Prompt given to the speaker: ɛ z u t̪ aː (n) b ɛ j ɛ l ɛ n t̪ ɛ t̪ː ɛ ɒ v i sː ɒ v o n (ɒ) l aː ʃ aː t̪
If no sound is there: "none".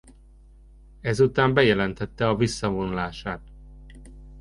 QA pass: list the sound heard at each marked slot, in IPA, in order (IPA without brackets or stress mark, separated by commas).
m, u